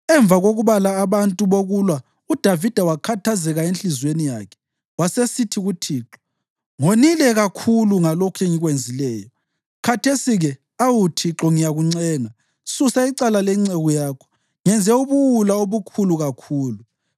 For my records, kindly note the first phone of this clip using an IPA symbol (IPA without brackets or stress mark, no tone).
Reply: ɛ